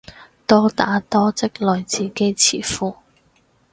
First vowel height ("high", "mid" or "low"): mid